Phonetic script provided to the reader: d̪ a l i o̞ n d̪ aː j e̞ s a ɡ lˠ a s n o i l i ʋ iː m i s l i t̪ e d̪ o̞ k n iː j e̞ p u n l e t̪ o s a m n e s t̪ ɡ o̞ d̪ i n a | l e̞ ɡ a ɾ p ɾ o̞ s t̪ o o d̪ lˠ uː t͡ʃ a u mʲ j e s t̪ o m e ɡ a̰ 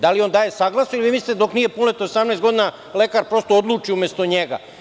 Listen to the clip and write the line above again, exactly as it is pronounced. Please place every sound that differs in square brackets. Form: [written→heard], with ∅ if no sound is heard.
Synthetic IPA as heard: d̪ a l i o̞ n d̪ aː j e̞ s a ɡ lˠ a s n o i l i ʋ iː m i s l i t̪ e d̪ o̞ k n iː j e̞ p u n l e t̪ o s a m n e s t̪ ɡ o̞ d̪ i n a | l e̞ [ɡ→k] a ɾ p ɾ o̞ s t̪ o o d̪ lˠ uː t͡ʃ [a→i] u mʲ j e s t̪ o [m→ɲ] e ɡ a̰